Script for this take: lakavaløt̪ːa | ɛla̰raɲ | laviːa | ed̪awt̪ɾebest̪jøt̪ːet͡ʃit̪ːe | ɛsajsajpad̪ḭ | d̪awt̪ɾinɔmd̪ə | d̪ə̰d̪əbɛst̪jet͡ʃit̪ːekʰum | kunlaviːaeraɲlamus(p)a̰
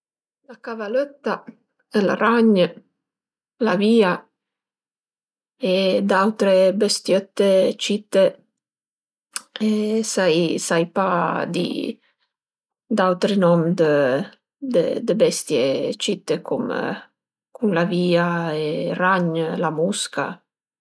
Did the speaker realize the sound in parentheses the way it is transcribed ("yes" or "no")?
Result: no